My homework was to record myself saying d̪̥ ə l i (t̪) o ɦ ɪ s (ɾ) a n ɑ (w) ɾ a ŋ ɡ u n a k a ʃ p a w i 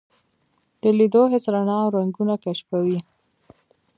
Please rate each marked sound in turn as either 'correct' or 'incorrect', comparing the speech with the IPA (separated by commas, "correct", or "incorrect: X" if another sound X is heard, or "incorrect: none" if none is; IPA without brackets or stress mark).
incorrect: d̪, correct, correct